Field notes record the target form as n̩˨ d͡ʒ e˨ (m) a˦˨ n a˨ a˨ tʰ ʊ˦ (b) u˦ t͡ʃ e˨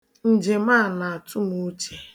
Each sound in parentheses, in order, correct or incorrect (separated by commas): correct, incorrect